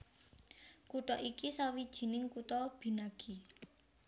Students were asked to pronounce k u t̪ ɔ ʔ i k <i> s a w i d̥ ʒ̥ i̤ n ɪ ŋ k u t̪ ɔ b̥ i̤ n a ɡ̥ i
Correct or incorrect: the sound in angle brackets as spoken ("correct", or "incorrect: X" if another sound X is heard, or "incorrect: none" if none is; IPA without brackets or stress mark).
correct